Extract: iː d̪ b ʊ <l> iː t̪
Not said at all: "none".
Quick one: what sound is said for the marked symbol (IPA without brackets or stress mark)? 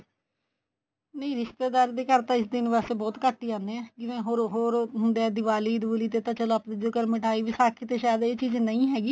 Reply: l